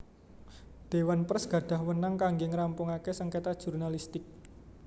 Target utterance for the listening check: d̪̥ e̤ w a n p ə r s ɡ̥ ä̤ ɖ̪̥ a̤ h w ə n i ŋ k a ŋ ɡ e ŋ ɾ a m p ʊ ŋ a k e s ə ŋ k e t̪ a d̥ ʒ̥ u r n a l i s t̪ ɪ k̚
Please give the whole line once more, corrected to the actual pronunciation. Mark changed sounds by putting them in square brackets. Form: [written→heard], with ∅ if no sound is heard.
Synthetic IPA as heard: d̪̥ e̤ w a n p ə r s ɡ̥ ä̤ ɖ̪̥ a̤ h w ə n [i→a] ŋ k a ŋ ɡ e ŋ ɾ a m p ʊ ŋ a k e s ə ŋ k e t̪ a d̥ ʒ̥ u r n a l i s t̪ ɪ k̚

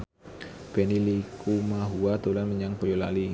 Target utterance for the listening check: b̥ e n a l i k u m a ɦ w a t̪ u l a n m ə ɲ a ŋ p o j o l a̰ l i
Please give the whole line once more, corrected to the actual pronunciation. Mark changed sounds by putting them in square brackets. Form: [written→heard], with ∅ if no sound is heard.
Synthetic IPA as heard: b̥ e n [a→i] l i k u m a ɦ [w→u] a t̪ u l a n m ə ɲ a ŋ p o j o l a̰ l i

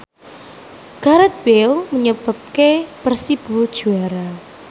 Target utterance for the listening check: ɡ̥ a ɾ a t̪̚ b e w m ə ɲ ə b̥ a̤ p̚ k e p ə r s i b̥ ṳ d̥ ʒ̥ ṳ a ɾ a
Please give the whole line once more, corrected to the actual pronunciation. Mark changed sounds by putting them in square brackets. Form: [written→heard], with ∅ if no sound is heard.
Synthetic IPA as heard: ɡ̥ a ɾ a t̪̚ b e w m ə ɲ ə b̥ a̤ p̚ k e p ə r s i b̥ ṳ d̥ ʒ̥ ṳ a ɾ a

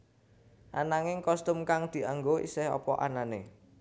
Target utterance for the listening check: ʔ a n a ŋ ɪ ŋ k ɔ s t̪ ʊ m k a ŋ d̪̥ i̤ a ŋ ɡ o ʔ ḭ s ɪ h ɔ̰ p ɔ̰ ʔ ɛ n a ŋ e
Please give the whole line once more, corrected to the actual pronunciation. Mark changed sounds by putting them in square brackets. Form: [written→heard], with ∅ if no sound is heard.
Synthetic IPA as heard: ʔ a n a ŋ ɪ ŋ k ɔ s t̪ ʊ m k a ŋ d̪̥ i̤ a ŋ ɡ o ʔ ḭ s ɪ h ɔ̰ p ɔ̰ ʔ [ɛ→a] n a [ŋ→n] e

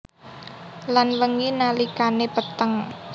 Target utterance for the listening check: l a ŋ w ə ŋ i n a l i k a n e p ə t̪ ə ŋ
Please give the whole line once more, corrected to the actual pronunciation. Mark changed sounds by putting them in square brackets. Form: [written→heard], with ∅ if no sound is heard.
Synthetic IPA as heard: l a [ŋ→n] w ə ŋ i n a l i k a n e p ə t̪ ə ŋ

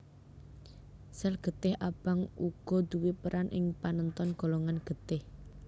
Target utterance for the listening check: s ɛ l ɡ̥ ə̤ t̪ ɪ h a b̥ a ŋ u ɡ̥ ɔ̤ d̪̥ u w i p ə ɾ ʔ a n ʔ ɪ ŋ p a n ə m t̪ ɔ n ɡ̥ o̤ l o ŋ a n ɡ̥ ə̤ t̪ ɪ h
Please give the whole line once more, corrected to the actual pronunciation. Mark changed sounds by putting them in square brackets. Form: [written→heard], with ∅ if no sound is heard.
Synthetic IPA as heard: s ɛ l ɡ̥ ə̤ t̪ ɪ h a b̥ a ŋ u ɡ̥ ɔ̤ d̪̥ u w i p ə ɾ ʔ a n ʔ ɪ ŋ p a n ə [m→n] t̪ ɔ n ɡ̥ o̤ l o ŋ a n ɡ̥ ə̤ t̪ ɪ h

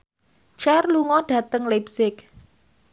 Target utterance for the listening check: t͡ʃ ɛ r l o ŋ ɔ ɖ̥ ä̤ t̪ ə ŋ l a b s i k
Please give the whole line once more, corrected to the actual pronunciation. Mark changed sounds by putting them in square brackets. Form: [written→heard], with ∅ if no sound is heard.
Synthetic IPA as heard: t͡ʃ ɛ r l [o→u] ŋ ɔ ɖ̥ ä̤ t̪ ə ŋ l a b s [i→ɪ] k

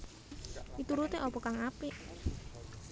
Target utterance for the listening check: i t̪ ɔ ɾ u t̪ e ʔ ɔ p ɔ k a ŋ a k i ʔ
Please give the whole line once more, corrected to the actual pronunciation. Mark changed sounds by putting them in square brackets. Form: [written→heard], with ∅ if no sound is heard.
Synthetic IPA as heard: i t̪ [ɔ→u] ɾ u t̪ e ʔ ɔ p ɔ k a ŋ a [k→p] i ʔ

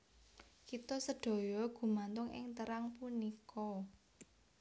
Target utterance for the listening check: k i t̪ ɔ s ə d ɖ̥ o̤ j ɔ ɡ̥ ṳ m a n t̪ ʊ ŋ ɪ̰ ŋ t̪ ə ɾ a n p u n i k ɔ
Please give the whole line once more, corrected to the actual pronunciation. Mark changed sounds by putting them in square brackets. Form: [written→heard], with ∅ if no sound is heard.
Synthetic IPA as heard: k i t̪ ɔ s ə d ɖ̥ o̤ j ɔ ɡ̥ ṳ m a n t̪ ʊ ŋ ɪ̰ ŋ t̪ ə ɾ a [n→ŋ] p u n i k ɔ

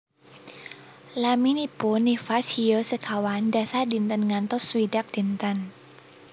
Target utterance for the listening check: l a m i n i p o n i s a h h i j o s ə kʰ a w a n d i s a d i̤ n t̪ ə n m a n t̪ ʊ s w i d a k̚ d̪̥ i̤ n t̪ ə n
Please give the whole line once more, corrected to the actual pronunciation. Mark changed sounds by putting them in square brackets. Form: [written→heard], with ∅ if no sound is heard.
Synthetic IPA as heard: l a m i n i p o n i [s→f] a [h→s] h i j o s ə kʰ a w a n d [i→a] s a d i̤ n t̪ ə n [m→ŋ] a n t̪ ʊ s w i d a k̚ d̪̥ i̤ n t̪ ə n

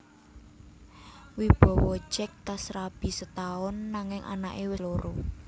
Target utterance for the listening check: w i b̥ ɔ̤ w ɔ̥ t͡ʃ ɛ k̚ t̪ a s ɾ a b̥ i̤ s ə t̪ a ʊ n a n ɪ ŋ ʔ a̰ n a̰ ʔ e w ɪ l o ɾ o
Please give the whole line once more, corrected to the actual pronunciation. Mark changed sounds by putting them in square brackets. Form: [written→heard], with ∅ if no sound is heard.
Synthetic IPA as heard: w i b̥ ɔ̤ w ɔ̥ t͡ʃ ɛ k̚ t̪ a s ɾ a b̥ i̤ s ə t̪ a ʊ [n→nː] a [n→ŋ] ɪ ŋ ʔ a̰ n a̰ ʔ e w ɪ l o ɾ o

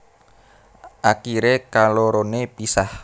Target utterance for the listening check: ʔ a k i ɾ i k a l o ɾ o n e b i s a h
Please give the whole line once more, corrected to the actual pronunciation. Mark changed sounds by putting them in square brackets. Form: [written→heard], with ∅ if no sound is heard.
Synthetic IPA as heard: ʔ a k i ɾ [i→e] k a l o ɾ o n e [b→p] i s a h

